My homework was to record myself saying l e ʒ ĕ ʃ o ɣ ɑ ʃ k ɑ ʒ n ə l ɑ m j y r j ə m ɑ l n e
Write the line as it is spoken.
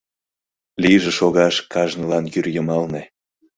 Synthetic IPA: l i ʒ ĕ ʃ o ɣ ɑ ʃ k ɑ ʒ n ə l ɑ n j y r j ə m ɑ l n e